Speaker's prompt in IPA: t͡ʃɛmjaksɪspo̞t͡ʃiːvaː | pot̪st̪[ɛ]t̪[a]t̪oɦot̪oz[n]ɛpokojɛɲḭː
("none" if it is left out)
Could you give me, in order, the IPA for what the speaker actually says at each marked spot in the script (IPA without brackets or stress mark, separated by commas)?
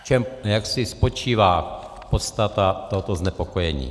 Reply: a, a, n